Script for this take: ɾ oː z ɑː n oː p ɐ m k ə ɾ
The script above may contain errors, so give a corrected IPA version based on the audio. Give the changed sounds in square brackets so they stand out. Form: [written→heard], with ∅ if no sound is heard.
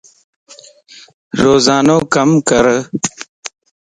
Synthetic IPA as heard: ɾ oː z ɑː n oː [p→k] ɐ m k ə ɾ